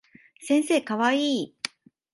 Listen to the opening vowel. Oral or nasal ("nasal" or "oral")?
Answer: nasal